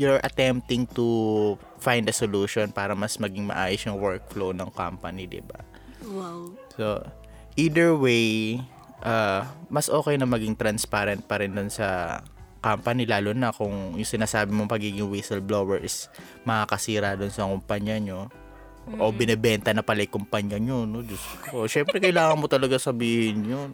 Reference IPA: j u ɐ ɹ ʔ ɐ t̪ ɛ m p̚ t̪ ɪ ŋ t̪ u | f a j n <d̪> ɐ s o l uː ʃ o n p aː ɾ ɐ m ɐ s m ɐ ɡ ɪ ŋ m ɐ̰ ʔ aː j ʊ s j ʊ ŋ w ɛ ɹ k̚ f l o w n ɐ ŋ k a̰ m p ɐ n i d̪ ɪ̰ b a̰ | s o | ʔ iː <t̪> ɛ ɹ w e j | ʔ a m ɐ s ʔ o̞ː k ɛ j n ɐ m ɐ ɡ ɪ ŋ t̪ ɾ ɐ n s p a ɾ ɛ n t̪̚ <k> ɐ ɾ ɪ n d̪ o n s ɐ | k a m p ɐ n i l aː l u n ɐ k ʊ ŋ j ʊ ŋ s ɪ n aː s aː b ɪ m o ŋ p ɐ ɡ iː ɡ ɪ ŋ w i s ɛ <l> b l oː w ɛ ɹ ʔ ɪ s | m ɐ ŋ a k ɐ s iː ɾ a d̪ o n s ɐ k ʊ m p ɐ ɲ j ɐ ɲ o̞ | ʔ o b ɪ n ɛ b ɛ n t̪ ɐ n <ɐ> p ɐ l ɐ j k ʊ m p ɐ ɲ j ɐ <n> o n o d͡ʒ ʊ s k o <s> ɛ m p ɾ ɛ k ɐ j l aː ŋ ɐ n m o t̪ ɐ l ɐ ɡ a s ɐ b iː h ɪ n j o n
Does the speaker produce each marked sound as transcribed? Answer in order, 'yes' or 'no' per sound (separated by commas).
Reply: yes, no, no, yes, yes, no, no